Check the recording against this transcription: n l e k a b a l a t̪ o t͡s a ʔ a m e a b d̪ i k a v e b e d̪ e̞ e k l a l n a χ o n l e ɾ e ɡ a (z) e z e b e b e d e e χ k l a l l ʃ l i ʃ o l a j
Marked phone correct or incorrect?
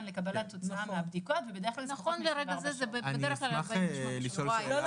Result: correct